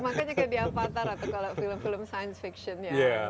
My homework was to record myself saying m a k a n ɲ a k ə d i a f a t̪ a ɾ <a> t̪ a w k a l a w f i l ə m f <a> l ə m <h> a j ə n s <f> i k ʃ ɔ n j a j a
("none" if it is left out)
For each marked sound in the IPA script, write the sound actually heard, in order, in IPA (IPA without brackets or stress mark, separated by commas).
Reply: a, i, s, f